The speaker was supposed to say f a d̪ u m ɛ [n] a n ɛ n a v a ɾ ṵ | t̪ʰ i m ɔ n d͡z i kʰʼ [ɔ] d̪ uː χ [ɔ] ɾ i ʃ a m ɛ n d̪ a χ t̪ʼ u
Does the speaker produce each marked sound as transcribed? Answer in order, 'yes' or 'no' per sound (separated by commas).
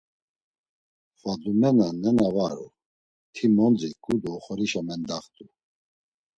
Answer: yes, no, yes